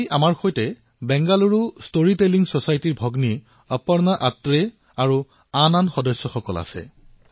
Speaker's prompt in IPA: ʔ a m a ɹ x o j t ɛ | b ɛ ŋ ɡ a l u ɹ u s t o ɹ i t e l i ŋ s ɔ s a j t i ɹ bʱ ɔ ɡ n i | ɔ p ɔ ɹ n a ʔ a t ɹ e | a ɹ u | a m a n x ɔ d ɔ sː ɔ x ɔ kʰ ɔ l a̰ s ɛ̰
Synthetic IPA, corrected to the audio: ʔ a m a ɹ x o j t ɛ | b ɛ ŋ ɡ a l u ɹ u s t o ɹ i t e l i ŋ s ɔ s a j t i ɹ bʱ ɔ ɡ n i | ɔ p ɔ ɹ n a ʔ a t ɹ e | a ɹ u | a n a n x ɔ d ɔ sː ɔ x ɔ k ɔ l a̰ s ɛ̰